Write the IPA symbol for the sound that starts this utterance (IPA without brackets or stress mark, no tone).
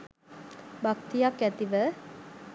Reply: b